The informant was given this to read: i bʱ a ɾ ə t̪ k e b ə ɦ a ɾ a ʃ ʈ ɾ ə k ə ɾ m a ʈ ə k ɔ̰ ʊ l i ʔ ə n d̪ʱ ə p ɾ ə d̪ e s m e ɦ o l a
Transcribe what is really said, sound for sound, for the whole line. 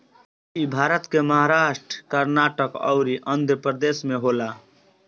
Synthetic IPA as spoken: i bʱ a ɾ ə t̪ k e m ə ɦ a ɾ a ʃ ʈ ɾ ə k ə ɾ n a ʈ ə k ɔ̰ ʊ ɾ i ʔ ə n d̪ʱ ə p ɾ ə d̪ e s m e ɦ o l a

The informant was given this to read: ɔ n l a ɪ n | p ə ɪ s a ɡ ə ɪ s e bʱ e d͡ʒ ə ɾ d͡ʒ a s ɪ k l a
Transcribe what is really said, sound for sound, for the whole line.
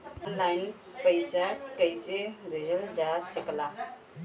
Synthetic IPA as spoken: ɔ n l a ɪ n | p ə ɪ s a k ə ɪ s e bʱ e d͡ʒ ə l d͡ʒ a s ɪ k l a

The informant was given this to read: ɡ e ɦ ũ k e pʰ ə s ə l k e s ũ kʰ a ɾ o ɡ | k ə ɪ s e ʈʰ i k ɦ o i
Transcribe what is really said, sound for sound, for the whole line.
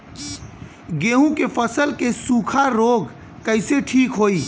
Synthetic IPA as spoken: ɡ e ɦ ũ k e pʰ ə s ə l k e s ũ kʰ a ɾ o ɡ | k ə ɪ s e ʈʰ i k ɦ o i

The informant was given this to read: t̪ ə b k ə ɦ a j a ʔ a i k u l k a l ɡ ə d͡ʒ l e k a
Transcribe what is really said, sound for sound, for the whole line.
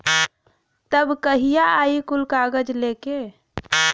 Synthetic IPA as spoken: t̪ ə b k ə ɦ i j a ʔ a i k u l k a ɡ ə d͡ʒ l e k e

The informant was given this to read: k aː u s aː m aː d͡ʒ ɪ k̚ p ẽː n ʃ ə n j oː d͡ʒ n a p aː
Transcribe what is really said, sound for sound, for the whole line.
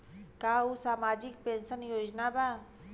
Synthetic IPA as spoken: k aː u s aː m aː d͡ʒ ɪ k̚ p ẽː n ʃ ə n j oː d͡ʒ n a b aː

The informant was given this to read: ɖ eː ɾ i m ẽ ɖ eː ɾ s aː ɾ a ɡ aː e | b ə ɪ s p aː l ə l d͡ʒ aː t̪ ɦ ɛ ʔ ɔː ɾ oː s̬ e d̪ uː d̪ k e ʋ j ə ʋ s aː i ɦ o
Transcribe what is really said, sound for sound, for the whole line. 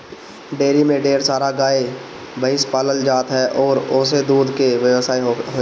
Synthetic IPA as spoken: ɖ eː ɾ i m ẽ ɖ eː ɾ s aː ɾ a ɡ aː e | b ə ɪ s p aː l ə l d͡ʒ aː t̪ ɦ ɛ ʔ ɔː ɾ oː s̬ e d̪ uː d̪ k e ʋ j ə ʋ s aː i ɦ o

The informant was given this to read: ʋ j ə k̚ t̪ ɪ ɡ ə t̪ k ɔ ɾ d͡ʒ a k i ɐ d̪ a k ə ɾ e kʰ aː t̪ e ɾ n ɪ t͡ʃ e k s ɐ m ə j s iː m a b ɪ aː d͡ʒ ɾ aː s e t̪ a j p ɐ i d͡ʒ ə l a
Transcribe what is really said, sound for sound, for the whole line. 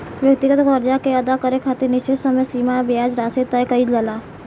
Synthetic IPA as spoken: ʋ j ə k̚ t̪ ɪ ɡ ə t̪ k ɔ ɾ d͡ʒ a k e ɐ d̪ a k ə ɾ e kʰ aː t̪ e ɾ n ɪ t͡ʃ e s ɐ m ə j s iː m a b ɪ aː d͡ʒ ɾ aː s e t̪ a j k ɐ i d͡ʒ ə l a

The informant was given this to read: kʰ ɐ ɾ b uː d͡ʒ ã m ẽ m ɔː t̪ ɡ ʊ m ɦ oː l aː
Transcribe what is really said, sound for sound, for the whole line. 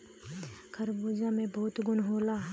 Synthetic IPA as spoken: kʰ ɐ ɾ b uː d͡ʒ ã m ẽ b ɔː t̪ ɡ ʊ n ɦ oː l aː

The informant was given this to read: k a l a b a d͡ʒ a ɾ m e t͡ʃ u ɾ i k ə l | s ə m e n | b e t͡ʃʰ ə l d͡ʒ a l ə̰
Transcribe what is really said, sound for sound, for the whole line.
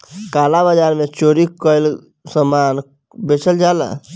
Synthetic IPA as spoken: k a l a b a d͡ʒ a ɾ m e t͡ʃ o ɾ i k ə l | s ə m a n | b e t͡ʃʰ ə l d͡ʒ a l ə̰

